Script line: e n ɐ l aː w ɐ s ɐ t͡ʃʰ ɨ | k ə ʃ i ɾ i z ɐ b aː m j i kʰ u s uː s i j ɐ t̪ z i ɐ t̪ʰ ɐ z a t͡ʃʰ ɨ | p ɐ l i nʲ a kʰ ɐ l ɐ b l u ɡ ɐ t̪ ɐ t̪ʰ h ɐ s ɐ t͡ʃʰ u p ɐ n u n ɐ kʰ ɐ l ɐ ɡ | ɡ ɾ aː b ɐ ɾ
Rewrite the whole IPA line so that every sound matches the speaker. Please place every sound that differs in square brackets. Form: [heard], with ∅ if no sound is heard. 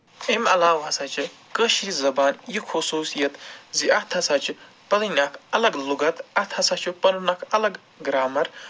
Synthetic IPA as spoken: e [m] ɐ l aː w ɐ s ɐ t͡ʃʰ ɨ | k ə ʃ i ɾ i z ɐ b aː [n] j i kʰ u s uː s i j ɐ t̪ z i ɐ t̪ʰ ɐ [s] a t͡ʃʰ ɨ | p ɐ l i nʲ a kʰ ɐ l ɐ [ɡ] l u ɡ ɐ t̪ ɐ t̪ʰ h ɐ s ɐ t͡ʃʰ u p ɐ n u n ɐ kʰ ɐ l ɐ ɡ | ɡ ɾ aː [m] ɐ ɾ